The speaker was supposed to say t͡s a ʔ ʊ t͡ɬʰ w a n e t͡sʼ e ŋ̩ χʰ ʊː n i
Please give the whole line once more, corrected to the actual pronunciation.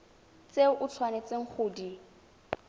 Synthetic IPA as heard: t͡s e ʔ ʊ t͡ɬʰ w a n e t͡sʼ e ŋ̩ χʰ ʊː d i